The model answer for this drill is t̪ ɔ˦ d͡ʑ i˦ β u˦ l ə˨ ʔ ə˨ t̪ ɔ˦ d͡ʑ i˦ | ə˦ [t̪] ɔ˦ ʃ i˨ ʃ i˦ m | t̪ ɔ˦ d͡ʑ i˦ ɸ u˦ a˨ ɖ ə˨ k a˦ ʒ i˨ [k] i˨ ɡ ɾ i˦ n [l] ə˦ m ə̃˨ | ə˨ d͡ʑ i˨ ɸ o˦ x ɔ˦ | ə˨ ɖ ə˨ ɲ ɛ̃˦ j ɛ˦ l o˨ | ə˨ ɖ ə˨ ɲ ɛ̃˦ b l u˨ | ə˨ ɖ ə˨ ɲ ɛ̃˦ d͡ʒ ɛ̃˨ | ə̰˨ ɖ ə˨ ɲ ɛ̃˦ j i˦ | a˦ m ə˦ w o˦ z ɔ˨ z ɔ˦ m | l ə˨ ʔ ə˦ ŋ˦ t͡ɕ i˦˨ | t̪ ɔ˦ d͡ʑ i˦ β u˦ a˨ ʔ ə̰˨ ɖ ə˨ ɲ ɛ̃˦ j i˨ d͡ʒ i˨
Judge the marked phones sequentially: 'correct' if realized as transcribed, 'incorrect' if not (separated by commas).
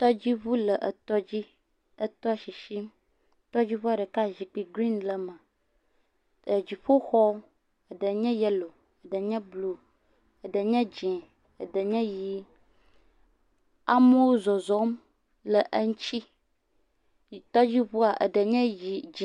correct, incorrect, correct